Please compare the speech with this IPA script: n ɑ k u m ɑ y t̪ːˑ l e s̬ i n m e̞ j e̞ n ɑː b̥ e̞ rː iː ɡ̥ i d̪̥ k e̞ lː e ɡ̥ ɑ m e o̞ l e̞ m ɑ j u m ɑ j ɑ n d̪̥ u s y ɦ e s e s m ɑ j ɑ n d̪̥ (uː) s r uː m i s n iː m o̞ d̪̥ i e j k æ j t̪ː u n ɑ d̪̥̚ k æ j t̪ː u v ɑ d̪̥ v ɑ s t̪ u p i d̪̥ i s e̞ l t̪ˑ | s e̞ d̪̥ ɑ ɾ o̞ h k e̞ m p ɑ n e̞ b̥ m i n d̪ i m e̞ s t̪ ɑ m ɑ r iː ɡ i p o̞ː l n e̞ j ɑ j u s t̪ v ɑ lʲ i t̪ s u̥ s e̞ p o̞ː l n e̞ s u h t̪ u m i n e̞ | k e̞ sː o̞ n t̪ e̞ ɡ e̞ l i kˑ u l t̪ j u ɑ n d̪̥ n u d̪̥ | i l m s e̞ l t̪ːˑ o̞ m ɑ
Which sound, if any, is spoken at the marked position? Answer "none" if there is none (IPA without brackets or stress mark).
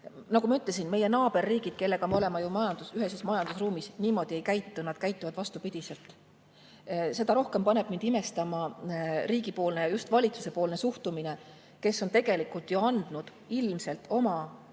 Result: u